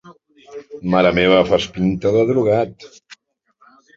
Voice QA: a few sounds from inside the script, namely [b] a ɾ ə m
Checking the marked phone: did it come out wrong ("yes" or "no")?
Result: yes